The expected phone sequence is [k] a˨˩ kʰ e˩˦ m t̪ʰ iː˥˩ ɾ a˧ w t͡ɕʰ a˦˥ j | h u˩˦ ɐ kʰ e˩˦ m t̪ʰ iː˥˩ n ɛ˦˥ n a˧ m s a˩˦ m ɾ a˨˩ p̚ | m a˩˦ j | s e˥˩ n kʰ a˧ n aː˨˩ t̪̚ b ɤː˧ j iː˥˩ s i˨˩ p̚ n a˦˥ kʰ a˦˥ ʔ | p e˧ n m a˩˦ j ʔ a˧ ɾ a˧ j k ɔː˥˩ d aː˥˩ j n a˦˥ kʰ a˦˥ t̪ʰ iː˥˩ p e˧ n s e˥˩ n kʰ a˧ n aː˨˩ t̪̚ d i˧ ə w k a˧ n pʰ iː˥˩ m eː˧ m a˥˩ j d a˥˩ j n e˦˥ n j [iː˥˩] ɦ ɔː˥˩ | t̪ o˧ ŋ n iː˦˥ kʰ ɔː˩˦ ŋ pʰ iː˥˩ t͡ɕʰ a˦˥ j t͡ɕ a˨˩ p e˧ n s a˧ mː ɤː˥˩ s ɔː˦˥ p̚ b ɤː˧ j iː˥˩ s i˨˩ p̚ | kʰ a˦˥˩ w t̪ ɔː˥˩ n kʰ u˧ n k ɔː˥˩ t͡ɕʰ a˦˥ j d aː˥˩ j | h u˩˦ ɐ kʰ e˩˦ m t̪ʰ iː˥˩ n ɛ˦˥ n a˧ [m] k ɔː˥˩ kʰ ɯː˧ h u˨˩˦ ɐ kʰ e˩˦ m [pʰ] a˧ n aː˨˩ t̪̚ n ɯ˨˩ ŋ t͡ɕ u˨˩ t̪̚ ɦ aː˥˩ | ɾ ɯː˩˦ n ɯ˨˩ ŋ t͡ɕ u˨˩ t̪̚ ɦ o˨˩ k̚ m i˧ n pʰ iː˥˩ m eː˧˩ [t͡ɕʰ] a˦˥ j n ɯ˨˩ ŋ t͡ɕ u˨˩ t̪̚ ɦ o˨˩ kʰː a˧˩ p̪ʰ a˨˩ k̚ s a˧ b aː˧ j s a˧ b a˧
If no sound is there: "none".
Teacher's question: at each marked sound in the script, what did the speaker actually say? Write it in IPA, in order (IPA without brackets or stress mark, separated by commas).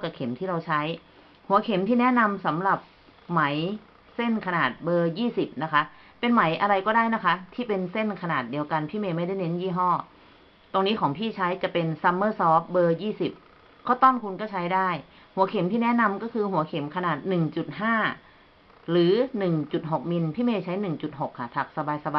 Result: k, iː˥˩, m, kʰ, t͡ɕʰ